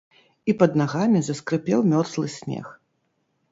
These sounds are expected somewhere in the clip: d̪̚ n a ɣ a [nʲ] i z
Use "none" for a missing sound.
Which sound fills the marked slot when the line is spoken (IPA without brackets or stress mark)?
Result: mʲ